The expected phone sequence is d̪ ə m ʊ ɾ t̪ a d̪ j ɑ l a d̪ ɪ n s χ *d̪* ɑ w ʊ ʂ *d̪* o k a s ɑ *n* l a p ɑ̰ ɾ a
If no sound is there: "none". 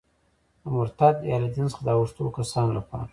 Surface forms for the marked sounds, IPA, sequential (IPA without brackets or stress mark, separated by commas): d̪, t̪, n